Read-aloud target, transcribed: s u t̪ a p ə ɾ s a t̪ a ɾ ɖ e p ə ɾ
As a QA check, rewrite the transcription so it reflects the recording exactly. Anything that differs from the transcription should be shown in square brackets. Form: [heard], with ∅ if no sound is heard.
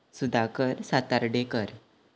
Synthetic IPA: s u [d̪] a [k] ə ɾ s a t̪ a ɾ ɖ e [k] ə ɾ